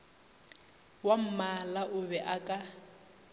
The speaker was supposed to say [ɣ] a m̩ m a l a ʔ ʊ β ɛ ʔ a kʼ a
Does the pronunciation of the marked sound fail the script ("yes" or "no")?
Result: yes